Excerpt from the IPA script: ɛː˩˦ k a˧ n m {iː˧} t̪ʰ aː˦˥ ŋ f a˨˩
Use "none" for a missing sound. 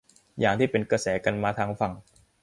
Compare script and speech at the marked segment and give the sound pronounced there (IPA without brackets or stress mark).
aː˧